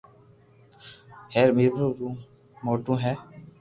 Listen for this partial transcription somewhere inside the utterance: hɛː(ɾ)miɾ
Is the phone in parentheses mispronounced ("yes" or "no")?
no